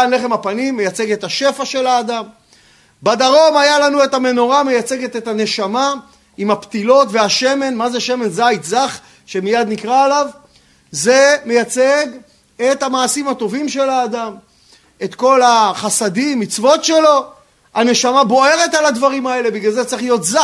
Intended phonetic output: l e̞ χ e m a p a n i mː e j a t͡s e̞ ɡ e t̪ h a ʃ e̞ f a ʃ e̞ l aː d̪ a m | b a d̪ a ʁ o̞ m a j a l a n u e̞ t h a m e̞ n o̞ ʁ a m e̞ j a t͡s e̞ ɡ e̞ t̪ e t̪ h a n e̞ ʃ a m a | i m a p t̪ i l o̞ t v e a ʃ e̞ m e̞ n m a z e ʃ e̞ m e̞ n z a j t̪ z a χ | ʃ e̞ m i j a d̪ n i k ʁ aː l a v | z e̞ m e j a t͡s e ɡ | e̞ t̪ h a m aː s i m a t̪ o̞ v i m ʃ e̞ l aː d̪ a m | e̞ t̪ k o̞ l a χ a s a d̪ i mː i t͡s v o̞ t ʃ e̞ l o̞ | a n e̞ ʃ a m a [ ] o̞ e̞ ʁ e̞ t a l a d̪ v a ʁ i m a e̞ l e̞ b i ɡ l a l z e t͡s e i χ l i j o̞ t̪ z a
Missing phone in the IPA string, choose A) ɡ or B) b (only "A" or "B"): B